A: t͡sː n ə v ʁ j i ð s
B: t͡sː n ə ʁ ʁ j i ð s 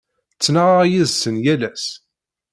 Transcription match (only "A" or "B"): B